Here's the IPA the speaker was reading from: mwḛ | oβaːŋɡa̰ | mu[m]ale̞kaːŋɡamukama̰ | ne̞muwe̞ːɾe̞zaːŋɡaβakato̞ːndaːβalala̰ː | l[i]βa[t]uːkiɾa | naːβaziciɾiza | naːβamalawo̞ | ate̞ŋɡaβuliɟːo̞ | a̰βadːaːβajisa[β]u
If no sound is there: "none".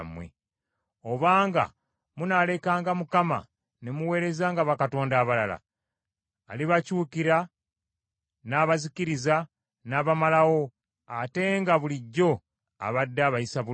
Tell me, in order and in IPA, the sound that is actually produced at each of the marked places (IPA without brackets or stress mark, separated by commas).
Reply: n, i, c, β